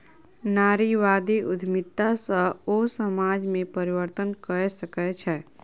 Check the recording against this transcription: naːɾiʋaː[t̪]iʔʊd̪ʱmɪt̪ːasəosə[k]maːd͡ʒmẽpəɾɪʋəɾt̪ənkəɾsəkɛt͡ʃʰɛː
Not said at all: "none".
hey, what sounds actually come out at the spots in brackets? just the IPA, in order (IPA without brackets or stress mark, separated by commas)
d̪, none